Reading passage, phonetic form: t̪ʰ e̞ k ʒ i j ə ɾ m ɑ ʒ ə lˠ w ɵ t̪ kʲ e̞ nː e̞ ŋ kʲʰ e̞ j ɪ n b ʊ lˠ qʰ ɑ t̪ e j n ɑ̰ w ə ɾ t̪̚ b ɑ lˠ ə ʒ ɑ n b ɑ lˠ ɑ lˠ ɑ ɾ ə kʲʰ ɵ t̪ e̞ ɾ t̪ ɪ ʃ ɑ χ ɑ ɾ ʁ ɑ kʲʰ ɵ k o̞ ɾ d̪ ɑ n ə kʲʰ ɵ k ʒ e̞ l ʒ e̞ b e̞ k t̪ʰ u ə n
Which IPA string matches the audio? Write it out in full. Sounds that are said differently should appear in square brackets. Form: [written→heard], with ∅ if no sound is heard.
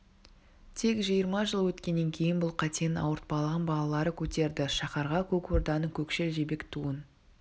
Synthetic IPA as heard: t̪ʰ e̞ k ʒ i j ə ɾ m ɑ ʒ ə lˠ w ɵ t̪ kʲ e̞ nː e̞ ŋ kʲʰ e̞ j ɪ n b ʊ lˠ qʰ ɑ t̪ e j n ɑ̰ w ə ɾ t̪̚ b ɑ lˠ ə [ʒ→ʁ] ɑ n b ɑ lˠ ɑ lˠ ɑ ɾ ə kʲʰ ɵ t̪ e̞ ɾ [t̪→d̪] ɪ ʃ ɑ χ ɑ ɾ ʁ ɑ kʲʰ ɵ k o̞ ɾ d̪ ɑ n ə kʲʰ ɵ k [ʒ→ʃ] e̞ l ʒ e̞ b e̞ k t̪ʰ u ə n